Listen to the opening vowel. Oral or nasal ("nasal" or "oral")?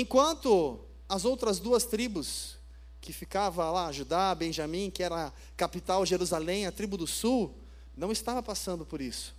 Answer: nasal